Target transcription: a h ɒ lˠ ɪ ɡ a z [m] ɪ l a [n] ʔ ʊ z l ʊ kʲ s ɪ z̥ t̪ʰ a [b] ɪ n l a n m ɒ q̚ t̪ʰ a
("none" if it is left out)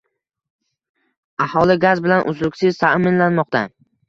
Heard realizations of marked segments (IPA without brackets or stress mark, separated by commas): b, n, m